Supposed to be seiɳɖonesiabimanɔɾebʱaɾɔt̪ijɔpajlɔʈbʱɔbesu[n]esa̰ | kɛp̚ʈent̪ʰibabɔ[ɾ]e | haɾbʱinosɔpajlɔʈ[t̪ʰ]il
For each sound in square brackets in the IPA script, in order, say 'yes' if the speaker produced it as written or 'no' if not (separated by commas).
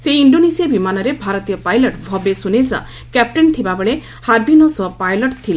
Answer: yes, no, yes